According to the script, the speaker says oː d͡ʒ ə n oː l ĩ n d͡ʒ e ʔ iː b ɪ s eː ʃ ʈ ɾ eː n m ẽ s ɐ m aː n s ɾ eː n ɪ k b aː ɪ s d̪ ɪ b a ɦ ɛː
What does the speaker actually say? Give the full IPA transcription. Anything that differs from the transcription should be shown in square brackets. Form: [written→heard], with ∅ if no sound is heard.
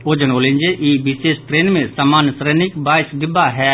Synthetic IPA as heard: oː d͡ʒ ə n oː l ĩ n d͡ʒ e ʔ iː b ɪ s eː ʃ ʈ ɾ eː n m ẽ s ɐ m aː n s ɾ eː n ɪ k b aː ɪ s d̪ ɪ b a ɦ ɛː